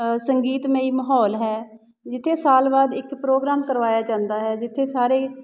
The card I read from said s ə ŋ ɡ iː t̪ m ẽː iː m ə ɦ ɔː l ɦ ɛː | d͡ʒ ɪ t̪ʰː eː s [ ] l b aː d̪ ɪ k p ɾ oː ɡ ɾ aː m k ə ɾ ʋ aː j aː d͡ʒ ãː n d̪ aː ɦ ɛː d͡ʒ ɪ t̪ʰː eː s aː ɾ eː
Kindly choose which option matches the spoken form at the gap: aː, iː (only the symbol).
aː